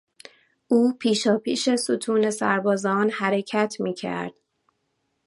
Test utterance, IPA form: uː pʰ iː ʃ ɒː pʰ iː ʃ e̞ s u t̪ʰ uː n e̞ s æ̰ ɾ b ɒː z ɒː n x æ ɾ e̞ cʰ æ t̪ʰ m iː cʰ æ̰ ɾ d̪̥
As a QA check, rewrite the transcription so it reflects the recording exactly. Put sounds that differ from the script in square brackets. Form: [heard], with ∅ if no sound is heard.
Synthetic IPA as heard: uː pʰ iː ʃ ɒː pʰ iː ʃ e̞ s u t̪ʰ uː n e̞ s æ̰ ɾ b ɒː z ɒː n [h] æ ɾ e̞ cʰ æ t̪ʰ m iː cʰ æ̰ ɾ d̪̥